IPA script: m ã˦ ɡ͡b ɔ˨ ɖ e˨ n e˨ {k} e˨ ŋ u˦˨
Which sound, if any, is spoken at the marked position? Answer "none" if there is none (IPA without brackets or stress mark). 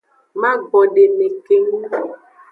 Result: k